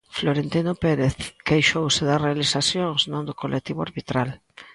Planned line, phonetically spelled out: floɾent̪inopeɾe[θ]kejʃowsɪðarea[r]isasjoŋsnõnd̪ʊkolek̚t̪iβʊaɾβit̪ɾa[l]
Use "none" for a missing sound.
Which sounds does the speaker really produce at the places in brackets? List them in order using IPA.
θ, l, l

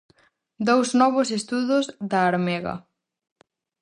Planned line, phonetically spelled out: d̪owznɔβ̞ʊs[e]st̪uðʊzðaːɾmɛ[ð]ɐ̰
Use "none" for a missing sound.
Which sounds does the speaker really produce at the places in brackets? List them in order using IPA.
e, ɣ

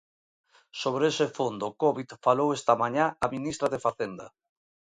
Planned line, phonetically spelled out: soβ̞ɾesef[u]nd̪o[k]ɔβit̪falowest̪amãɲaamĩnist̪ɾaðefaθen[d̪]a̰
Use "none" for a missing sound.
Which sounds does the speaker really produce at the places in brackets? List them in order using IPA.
o, k, d̪

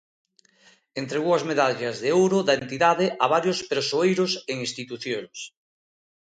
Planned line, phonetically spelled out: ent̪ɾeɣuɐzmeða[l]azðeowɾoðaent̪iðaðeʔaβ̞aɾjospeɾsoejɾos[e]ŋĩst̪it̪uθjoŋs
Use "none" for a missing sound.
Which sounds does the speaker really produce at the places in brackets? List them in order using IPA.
ʎ, e

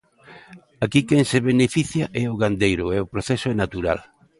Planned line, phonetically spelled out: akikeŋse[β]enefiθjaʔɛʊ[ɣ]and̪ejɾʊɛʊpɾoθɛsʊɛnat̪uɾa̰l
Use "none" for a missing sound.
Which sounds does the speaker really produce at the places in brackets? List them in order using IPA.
β, ɣ

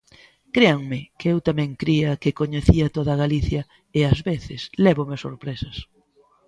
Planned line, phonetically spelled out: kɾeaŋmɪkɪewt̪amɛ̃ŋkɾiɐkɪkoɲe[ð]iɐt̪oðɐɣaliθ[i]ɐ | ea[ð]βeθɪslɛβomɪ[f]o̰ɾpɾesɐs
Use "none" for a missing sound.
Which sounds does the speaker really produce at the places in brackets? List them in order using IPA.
θ, j, z, s

